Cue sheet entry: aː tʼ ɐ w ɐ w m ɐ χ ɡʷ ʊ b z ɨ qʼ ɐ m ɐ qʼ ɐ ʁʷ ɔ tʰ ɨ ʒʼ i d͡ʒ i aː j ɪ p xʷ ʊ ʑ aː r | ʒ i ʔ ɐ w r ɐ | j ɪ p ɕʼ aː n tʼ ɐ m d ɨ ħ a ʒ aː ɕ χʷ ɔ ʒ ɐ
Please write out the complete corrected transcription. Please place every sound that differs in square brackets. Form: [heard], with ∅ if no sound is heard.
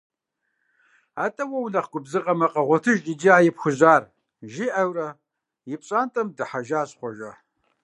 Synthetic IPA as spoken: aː tʼ ɐ w ɐ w [n] ɐ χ ɡʷ ʊ b z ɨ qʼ ɐ m ɐ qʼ ɐ ʁʷ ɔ tʰ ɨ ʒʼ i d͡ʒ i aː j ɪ p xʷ ʊ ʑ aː r | ʒ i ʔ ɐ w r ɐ | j ɪ p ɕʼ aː n tʼ ɐ m d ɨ ħ a ʒ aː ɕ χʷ ɔ ʒ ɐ